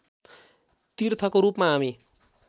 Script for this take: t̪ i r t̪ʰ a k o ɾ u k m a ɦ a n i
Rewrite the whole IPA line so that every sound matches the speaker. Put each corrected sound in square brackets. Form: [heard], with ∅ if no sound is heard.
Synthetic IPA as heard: t̪ i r t̪ʰ [ʌ] k o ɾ u [p] m a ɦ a [m] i